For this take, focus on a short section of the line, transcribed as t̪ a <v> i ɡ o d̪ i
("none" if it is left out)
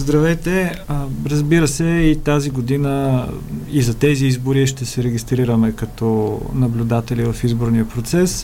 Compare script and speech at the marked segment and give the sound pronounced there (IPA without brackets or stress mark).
z